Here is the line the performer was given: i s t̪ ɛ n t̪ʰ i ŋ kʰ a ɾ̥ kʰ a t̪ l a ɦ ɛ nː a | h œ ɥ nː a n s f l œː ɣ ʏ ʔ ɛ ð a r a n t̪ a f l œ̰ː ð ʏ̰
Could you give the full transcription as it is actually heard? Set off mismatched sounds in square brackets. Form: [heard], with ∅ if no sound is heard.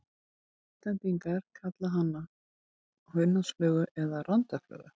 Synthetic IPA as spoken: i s t̪ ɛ n [t̪] i ŋ [k] a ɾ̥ kʰ a t̪ l a ɦ [a] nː a | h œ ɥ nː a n s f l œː ɣ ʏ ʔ ɛ ð a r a n t̪ a f l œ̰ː [ɣ] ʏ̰